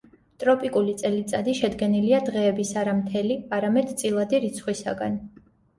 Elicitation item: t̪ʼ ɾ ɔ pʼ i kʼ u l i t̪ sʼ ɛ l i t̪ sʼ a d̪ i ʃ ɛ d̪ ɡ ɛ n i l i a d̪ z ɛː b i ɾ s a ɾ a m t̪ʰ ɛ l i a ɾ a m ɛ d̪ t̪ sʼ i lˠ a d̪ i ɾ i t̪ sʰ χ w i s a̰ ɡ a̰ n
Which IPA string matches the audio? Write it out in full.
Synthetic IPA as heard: t̪ʼ ɾ ɔ pʼ i kʼ u l i t̪ sʼ ɛ l i t̪ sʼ a d̪ i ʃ ɛ d̪ ɡ ɛ n i l i a d̪ ʁ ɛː b i s a ɾ a m t̪ʰ ɛ l i a ɾ a m ɛ d̪ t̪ sʼ i lˠ a d̪ i ɾ i t̪ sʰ χ w i s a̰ ɡ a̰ n